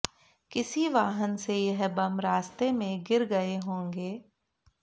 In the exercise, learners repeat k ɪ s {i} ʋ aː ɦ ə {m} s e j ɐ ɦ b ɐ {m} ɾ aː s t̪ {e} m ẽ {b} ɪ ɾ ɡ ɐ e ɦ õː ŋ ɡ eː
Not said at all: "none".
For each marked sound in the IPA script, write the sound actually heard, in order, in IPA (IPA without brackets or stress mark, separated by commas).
i, n, m, e, ɡ